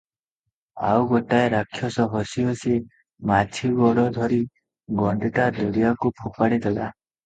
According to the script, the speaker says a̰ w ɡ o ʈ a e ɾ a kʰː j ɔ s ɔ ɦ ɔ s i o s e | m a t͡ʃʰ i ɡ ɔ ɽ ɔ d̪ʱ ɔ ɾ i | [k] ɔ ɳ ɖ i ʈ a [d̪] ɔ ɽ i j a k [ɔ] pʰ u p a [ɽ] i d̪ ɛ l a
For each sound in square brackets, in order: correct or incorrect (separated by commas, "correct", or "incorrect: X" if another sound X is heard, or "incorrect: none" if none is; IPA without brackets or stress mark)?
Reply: incorrect: ɡ, correct, incorrect: u, correct